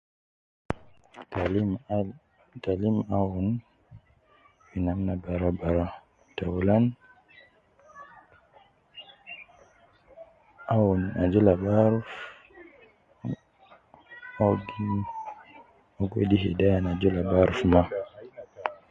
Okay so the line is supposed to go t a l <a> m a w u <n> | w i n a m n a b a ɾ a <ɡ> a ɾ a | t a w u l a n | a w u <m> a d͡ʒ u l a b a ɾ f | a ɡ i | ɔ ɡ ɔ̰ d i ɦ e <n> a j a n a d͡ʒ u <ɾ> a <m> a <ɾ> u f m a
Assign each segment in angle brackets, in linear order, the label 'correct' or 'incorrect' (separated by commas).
incorrect, correct, incorrect, incorrect, incorrect, incorrect, incorrect, correct